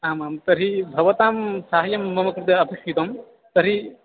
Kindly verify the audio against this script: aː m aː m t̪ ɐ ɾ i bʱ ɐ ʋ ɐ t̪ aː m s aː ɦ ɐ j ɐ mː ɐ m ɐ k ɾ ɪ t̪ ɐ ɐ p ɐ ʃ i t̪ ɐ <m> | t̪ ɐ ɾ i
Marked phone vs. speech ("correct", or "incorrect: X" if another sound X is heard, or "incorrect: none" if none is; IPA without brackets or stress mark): correct